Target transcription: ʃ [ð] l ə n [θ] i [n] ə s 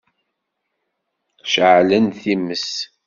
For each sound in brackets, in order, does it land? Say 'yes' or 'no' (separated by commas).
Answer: no, yes, no